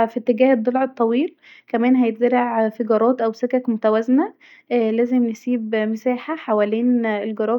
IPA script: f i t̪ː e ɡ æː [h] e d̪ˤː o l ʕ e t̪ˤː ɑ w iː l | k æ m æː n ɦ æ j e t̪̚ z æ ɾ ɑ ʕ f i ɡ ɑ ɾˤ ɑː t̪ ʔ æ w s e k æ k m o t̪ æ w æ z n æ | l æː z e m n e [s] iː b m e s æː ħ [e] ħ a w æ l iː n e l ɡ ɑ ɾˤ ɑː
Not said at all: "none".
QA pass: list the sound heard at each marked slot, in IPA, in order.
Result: h, s, a

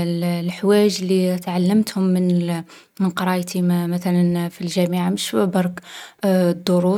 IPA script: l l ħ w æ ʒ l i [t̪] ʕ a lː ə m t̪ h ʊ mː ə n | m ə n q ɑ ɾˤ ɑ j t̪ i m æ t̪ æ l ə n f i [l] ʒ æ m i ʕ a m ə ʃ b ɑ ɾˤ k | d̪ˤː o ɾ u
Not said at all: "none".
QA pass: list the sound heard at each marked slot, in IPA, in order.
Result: t̪, l

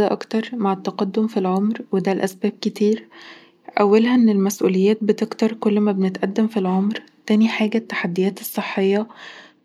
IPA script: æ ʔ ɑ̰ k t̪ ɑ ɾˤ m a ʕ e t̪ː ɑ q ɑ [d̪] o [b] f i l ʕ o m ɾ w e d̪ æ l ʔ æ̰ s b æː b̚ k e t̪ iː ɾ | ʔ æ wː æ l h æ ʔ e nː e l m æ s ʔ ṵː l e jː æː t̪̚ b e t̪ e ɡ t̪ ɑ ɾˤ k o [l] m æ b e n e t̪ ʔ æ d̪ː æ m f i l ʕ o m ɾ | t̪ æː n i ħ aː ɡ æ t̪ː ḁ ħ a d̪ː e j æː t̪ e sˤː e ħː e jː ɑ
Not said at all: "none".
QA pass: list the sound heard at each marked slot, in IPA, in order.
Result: d̪ː, m, lː

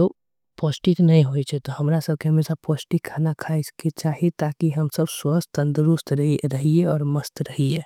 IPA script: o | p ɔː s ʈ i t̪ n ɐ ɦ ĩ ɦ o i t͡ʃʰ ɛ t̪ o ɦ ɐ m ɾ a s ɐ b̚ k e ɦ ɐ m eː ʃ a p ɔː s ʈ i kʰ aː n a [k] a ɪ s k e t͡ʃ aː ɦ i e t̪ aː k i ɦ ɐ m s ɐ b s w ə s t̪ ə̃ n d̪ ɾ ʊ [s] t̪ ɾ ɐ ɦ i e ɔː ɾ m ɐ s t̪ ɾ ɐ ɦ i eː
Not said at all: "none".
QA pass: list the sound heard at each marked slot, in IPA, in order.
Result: kʰ, s

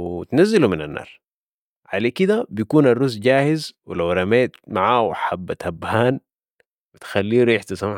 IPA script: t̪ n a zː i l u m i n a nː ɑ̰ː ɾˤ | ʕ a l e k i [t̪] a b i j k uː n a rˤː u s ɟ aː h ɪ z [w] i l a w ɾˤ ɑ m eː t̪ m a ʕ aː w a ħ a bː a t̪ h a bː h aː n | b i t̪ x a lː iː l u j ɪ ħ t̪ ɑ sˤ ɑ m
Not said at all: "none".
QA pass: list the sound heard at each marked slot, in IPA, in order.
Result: d̪, w

